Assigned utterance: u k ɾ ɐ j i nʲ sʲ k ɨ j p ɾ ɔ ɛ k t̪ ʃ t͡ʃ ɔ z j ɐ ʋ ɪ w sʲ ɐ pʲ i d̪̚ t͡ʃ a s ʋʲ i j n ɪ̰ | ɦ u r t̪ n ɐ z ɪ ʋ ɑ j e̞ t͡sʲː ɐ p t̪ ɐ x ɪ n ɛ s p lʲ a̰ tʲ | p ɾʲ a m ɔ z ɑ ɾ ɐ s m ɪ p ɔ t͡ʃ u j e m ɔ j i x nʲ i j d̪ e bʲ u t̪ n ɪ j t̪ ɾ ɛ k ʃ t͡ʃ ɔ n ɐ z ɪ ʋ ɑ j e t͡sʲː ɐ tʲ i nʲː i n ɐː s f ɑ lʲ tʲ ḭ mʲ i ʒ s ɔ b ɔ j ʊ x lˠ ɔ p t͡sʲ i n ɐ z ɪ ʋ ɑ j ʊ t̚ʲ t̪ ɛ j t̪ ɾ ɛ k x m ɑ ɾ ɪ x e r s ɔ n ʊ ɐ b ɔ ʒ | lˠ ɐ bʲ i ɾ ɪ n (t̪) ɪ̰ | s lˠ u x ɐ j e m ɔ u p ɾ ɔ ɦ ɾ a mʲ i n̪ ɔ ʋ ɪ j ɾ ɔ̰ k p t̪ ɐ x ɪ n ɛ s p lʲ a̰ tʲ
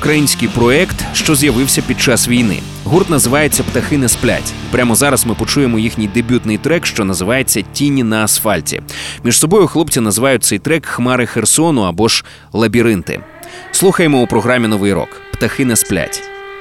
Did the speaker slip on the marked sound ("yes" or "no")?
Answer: no